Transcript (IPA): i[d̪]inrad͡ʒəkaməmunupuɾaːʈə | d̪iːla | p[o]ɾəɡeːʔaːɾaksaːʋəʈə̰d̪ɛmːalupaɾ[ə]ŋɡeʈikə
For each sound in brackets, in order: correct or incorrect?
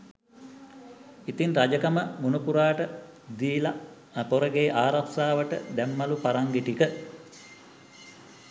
incorrect, correct, incorrect

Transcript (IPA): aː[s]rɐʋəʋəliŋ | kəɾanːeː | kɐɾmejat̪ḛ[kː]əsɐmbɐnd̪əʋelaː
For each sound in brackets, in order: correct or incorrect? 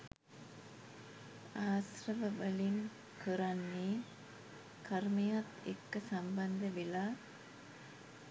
correct, correct

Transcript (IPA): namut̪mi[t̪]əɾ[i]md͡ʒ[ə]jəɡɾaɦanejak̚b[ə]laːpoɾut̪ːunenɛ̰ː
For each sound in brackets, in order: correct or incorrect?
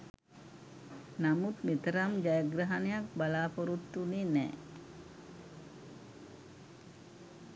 correct, incorrect, incorrect, incorrect

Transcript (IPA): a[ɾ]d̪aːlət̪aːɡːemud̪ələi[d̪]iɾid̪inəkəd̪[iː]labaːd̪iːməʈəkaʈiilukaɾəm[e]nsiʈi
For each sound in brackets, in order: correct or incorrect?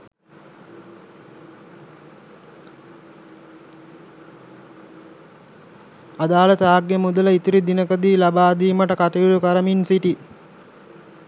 incorrect, incorrect, correct, incorrect

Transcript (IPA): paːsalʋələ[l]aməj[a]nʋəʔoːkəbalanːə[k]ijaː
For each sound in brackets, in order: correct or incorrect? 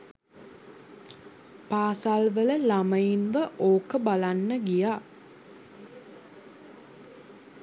correct, incorrect, incorrect

